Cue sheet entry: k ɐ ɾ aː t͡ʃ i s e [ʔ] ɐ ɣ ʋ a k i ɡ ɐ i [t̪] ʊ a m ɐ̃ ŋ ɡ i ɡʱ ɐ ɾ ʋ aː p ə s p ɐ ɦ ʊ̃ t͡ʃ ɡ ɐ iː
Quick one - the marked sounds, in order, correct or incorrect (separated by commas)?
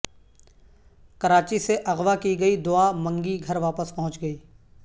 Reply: correct, incorrect